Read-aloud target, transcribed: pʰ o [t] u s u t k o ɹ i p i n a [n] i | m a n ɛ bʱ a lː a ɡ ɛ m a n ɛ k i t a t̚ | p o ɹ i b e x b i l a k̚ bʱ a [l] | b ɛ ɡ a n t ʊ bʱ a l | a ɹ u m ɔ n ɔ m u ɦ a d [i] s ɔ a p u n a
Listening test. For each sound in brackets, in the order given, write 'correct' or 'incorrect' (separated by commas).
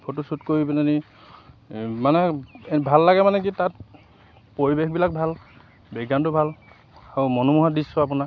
correct, correct, correct, correct